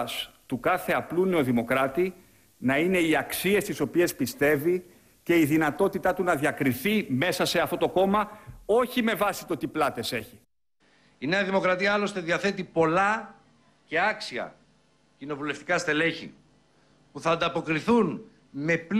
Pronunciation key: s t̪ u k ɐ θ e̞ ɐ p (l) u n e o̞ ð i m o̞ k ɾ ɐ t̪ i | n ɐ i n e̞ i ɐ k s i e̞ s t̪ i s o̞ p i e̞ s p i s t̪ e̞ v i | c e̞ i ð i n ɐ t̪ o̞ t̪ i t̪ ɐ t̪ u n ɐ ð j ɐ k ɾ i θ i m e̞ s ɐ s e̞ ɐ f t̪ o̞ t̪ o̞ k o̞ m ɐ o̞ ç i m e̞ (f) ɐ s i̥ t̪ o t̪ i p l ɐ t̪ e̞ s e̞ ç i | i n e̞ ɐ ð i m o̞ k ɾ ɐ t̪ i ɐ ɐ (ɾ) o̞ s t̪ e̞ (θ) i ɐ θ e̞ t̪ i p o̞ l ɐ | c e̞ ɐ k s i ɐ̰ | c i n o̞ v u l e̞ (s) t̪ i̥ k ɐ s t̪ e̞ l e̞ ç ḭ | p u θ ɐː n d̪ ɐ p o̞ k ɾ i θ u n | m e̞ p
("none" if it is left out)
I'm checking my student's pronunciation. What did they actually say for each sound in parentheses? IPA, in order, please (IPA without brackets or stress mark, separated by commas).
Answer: l, v, l, ð, f